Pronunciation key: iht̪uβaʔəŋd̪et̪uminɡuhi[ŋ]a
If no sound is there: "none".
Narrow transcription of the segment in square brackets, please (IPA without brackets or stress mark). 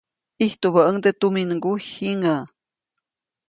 ŋ